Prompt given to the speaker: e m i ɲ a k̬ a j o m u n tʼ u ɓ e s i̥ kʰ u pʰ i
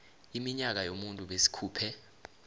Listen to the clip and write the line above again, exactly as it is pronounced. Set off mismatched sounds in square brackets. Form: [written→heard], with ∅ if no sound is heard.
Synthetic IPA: [e→i] m i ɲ a k̬ a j o m u n tʼ u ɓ e s i̥ kʰ [u→uː] pʰ [i→ɛ]